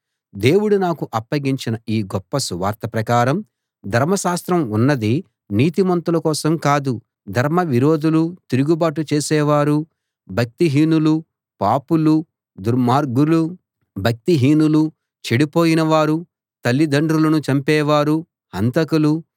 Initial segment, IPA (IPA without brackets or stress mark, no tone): d̪